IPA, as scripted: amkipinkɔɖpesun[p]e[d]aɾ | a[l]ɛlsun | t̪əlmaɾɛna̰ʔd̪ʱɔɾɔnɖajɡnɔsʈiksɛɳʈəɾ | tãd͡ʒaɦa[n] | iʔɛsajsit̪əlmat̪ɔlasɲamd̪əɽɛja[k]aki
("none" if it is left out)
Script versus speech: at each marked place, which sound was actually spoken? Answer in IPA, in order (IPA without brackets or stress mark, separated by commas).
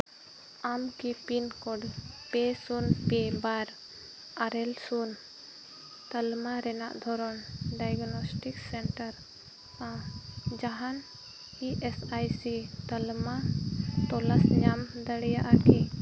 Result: p, b, ɾ, n, ʔ